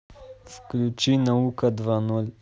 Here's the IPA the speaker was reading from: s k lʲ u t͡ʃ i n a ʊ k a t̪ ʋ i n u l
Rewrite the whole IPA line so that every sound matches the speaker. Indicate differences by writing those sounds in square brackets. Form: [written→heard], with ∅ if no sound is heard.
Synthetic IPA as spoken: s k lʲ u t͡ʃ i n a [ʊ→u] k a [t̪→d̪] ʋ [i→a] n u l